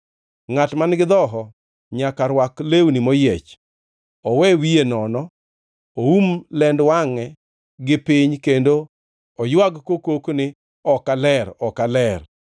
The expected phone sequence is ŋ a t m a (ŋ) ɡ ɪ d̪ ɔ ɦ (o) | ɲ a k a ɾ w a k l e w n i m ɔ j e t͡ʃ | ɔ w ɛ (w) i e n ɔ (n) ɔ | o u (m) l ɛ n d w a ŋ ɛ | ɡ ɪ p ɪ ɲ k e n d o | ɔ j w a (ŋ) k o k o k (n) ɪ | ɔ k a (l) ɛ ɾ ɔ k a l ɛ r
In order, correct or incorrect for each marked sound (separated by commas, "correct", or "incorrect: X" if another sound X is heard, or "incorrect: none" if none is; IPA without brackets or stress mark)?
incorrect: n, incorrect: ɔ, correct, correct, correct, incorrect: ɡ, correct, correct